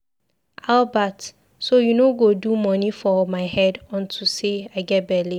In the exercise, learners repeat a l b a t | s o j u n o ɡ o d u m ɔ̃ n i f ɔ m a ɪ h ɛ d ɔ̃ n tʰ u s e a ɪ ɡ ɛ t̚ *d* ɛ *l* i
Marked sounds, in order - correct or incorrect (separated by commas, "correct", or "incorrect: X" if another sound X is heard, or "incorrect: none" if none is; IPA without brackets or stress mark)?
incorrect: b, correct